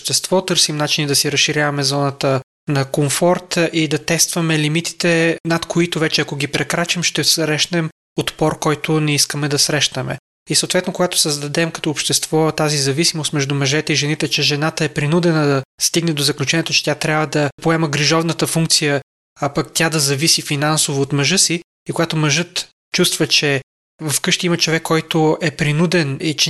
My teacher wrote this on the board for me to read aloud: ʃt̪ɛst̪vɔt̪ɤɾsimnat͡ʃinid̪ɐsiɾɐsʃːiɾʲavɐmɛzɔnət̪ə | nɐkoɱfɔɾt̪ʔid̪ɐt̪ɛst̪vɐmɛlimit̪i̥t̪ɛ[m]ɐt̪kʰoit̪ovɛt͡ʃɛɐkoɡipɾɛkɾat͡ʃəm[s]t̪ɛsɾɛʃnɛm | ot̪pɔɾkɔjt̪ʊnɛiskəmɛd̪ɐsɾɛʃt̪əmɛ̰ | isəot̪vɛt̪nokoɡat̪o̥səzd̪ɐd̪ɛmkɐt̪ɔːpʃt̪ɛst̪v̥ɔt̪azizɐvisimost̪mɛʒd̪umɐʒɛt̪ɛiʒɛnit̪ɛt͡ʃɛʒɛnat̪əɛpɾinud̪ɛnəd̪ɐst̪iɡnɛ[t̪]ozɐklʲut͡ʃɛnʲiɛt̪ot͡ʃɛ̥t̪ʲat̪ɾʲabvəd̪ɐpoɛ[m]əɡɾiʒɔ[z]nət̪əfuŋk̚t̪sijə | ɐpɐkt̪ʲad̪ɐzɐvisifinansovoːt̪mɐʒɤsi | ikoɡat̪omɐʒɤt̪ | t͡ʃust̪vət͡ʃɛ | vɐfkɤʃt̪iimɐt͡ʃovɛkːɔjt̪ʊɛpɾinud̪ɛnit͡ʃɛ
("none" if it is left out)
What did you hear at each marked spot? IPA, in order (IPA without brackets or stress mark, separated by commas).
n, ʃ, d̪, m, v